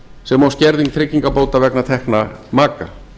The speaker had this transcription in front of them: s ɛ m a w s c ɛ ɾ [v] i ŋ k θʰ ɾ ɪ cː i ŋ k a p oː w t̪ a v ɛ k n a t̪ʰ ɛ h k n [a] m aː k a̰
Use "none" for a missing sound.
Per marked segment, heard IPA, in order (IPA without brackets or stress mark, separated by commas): ð, a